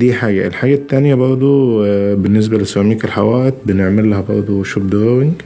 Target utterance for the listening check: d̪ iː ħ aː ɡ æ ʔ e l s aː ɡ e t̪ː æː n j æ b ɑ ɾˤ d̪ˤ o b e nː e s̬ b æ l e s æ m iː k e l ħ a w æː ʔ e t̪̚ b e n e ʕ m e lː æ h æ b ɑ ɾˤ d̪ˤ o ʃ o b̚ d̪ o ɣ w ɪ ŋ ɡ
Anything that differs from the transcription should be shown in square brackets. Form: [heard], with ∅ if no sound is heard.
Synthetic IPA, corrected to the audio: d̪ iː ħ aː ɡ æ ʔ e l [ħ] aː ɡ [æ] t̪ː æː n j æ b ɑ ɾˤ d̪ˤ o b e nː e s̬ b æ l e s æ m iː k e l ħ a w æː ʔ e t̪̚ b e n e ʕ m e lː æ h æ b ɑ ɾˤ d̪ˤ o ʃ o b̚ d̪ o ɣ w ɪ ŋ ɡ